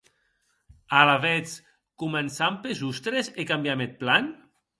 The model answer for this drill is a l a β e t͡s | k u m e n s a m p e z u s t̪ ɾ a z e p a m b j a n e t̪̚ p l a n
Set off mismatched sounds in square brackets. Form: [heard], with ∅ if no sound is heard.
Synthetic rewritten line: a l a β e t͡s | k u m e n s a m p e z u s t̪ ɾ [e] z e [k] a m b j a [m] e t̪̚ p l a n